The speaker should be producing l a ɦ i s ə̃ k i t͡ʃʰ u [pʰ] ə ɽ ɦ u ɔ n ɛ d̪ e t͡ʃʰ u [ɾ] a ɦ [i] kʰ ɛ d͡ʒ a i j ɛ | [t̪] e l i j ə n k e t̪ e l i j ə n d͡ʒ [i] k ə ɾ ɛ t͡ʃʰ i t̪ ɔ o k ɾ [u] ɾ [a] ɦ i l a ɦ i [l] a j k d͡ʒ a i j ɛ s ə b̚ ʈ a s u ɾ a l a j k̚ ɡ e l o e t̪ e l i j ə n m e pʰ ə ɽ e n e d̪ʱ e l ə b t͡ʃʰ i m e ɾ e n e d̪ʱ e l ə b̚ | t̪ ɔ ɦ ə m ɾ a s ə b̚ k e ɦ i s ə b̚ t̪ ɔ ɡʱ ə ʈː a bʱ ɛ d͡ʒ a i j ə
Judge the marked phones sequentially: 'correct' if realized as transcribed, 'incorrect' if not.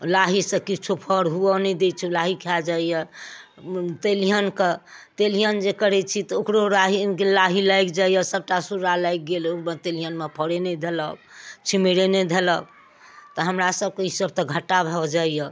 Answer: correct, incorrect: l, correct, correct, incorrect: e, incorrect: o, correct, correct

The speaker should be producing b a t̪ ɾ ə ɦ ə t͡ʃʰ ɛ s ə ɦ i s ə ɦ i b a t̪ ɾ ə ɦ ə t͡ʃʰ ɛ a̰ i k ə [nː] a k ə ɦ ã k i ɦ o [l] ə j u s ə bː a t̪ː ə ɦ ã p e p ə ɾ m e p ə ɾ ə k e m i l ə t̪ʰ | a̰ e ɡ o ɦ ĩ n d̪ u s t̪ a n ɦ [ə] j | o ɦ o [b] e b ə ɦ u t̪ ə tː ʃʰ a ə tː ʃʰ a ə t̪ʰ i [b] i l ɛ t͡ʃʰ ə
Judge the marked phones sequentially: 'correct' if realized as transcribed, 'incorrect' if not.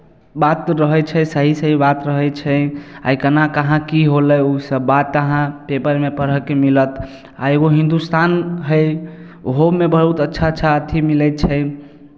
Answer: incorrect: n, correct, correct, incorrect: m, incorrect: m

